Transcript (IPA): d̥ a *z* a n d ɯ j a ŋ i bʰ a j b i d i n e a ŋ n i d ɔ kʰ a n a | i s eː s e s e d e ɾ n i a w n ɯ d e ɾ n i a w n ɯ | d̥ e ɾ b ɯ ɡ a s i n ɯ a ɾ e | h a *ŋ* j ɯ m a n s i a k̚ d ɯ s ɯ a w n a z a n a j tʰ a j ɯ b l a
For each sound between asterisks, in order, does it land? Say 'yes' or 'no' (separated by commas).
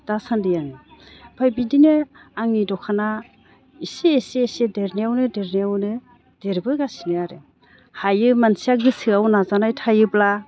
no, no